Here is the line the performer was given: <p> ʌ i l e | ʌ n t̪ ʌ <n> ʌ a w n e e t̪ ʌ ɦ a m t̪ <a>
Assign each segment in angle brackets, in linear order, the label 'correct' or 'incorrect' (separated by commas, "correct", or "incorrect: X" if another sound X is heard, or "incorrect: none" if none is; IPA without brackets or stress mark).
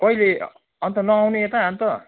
incorrect: k, correct, incorrect: ʌ